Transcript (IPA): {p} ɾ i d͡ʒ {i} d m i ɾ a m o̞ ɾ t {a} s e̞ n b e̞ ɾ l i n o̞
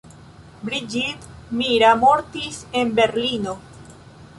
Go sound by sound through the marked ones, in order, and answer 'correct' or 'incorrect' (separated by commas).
incorrect, correct, incorrect